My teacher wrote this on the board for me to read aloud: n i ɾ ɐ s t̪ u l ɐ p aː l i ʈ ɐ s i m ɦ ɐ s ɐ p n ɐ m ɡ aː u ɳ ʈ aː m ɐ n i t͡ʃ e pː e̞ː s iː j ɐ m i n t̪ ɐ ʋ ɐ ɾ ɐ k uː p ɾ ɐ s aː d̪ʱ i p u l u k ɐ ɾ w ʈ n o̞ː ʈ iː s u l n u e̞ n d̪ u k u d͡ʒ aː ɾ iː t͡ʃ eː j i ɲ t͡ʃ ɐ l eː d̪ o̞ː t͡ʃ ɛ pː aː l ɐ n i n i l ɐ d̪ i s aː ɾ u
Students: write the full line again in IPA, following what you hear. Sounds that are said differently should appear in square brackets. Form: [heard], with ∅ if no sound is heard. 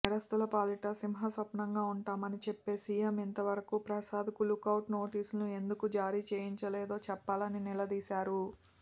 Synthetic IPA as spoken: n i ɾ ɐ s t̪ u l ɐ p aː l i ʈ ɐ s i m ɦ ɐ s ɐ p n ɐ [ŋ] ɡ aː u ɳ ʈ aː m ɐ n i t͡ʃ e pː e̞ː s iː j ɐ m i n t̪ ɐ ʋ ɐ ɾ ɐ k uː p ɾ ɐ s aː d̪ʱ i [k] u l u k ɐ [∅] w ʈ n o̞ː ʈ iː s u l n u e̞ n d̪ u k u d͡ʒ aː ɾ iː t͡ʃ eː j i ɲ t͡ʃ ɐ l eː d̪ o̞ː t͡ʃ ɛ pː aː l ɐ n i n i l ɐ d̪ [iː] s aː ɾ u